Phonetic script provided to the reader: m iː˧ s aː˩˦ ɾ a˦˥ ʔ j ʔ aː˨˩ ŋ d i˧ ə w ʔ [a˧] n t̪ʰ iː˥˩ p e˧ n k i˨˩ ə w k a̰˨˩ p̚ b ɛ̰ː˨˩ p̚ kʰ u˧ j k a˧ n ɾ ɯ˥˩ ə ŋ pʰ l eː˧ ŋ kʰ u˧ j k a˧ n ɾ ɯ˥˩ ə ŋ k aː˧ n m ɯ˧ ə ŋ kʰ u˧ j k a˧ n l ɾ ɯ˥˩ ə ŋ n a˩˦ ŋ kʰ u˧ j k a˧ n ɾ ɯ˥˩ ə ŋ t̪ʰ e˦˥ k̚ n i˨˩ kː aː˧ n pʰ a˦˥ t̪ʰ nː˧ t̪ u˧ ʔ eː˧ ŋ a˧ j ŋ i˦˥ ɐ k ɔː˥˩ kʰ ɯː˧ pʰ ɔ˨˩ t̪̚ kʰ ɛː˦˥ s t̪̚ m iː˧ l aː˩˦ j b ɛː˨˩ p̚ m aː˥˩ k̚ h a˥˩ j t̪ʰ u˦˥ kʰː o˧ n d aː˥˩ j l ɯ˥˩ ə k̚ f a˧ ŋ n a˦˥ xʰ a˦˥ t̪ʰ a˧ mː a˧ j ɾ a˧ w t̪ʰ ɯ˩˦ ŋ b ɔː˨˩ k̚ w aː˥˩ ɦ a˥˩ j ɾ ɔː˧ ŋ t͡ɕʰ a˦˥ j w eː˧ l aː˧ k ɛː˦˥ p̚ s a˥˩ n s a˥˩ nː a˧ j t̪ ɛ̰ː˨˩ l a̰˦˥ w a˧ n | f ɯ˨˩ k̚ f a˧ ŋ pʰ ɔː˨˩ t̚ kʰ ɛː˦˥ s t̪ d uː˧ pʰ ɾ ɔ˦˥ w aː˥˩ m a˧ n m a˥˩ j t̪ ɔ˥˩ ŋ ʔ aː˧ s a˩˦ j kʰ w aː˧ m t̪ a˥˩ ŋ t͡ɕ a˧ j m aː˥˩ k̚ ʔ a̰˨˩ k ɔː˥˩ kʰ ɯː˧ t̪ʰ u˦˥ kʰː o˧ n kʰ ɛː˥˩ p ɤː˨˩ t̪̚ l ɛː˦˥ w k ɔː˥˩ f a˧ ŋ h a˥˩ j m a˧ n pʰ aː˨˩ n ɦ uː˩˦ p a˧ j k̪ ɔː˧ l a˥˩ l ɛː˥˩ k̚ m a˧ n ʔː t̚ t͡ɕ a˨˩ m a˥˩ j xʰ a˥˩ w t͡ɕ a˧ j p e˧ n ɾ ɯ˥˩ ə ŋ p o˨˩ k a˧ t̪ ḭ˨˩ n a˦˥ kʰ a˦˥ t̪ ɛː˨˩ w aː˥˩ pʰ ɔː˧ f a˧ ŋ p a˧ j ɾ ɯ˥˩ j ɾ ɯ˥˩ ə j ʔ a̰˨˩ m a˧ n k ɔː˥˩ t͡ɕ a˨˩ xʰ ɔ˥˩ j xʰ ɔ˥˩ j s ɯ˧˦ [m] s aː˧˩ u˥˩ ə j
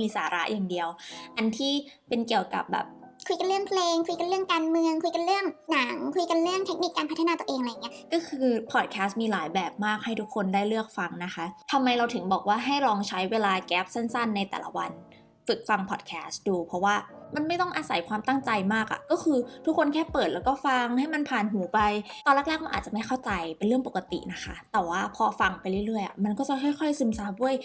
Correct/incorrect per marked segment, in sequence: correct, correct

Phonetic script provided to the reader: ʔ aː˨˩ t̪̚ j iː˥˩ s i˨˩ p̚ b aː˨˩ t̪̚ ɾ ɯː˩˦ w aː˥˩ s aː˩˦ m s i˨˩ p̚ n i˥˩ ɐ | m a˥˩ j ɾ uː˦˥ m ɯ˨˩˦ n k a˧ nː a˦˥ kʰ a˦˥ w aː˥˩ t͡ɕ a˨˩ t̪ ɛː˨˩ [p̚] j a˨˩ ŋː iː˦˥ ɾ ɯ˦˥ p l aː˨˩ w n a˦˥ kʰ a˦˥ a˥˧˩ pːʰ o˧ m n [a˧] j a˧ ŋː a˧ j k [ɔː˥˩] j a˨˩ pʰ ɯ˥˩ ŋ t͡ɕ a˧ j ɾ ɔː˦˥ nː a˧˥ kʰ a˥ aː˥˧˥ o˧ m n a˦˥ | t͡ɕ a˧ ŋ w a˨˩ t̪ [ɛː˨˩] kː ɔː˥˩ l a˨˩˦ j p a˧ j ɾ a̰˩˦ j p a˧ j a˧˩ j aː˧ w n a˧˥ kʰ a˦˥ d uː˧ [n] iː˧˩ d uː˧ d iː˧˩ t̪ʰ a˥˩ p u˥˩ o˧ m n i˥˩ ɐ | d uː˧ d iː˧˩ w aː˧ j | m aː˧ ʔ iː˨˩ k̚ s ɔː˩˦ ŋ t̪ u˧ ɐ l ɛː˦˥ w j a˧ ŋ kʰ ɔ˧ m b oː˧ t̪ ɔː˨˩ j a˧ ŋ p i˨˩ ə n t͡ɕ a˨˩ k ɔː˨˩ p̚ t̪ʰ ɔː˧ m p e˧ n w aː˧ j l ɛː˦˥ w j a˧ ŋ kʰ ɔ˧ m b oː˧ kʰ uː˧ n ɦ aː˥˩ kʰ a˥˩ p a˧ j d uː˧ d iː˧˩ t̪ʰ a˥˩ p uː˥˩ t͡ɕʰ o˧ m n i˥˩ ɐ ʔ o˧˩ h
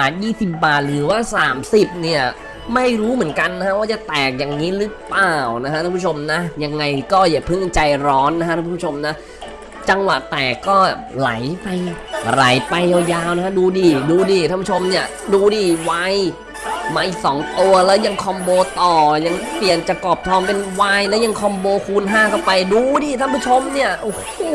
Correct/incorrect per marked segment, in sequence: incorrect: k̚, incorrect: a˦˥, correct, correct, incorrect: d

